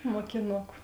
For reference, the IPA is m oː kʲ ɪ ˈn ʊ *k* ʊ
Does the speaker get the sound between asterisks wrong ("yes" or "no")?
no